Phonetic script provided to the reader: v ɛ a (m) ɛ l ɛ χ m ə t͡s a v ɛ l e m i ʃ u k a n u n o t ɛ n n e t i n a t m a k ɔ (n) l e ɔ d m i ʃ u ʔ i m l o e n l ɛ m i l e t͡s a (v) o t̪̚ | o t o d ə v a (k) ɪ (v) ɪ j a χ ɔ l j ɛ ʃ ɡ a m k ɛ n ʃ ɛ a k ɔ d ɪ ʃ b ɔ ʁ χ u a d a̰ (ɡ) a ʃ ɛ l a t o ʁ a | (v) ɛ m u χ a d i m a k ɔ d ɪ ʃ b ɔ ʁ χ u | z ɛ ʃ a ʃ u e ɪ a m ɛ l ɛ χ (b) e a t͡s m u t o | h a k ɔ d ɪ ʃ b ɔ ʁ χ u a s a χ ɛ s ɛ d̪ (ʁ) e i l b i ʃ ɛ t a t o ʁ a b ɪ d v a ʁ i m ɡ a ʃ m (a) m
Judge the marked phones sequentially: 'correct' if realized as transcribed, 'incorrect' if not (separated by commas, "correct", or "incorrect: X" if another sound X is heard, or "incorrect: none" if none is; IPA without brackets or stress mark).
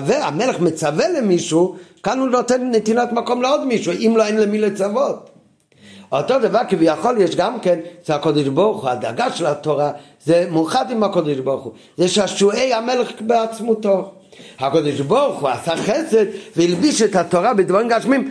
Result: correct, incorrect: m, correct, correct, correct, correct, incorrect: z, correct, incorrect: v, incorrect: i